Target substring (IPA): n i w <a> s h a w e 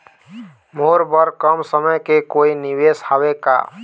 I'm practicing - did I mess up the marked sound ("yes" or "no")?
yes